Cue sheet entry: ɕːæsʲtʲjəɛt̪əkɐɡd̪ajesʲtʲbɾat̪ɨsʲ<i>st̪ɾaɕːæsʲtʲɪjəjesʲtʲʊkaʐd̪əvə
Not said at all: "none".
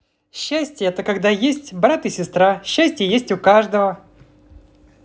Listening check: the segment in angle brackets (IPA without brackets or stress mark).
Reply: ɪ